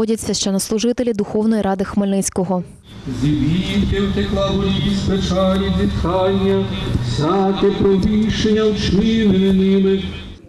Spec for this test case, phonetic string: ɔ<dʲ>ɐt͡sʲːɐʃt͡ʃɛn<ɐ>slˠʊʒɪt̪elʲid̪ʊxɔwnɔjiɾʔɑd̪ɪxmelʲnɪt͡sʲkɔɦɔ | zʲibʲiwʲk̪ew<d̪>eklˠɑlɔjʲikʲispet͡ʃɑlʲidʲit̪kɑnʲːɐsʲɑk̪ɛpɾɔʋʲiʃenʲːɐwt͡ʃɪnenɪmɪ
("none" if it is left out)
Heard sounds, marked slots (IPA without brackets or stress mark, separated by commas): dʲ, ɐ, t̪